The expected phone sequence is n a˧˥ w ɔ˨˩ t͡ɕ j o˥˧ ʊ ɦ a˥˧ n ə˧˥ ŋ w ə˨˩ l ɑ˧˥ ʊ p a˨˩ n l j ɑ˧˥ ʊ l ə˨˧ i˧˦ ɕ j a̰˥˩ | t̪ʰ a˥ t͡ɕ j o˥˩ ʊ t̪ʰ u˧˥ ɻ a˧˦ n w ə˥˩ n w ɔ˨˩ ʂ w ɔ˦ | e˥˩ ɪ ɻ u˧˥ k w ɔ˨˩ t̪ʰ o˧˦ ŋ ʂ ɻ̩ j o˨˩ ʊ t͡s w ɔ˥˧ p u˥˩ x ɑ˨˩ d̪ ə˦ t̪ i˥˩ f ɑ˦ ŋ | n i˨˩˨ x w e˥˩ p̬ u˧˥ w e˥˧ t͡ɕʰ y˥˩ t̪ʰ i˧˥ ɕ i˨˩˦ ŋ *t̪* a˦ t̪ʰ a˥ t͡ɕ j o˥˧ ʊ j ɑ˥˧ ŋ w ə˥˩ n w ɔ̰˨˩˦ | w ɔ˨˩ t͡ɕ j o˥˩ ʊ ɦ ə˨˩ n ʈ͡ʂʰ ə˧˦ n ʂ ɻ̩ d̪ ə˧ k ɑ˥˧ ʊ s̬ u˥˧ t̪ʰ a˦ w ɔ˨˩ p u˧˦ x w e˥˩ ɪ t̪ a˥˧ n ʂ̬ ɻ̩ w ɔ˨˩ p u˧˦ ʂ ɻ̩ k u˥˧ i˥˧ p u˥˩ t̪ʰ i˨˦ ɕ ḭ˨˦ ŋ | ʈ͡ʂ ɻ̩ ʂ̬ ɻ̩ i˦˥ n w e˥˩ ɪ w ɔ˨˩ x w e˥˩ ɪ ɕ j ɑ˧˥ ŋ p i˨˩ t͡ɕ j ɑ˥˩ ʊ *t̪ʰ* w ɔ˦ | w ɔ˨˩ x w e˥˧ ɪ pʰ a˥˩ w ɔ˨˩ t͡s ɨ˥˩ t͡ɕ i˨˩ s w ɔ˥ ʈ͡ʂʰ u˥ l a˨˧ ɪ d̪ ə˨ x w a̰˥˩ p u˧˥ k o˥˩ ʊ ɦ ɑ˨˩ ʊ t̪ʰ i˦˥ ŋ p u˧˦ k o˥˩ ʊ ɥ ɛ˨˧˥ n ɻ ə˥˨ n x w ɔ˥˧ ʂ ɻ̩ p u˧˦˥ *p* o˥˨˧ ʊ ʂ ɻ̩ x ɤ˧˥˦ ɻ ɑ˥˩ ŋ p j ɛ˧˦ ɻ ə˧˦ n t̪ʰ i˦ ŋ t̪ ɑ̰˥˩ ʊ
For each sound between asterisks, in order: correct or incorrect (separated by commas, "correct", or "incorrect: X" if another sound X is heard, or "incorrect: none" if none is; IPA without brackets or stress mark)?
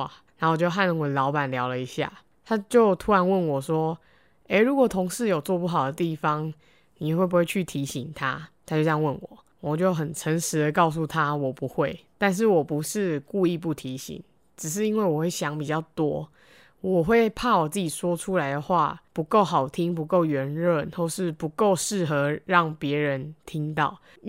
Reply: incorrect: t̪ʰ, incorrect: t̪, incorrect: k